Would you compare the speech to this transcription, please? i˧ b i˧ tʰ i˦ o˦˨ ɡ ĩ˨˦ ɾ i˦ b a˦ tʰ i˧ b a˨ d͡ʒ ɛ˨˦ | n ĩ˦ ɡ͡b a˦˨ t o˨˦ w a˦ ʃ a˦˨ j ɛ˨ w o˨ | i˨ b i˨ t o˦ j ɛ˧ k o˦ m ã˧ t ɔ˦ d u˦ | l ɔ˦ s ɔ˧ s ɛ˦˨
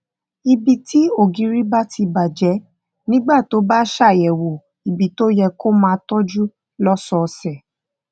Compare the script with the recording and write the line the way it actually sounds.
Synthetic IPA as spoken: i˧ b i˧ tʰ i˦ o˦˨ ɡ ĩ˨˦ ɾ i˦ b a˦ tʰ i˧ b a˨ d͡ʒ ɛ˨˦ | n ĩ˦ ɡ͡b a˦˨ t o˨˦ b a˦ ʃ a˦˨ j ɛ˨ w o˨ | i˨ b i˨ t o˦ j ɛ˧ k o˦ m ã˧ t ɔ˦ d͡ʒ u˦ | l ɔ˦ s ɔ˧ s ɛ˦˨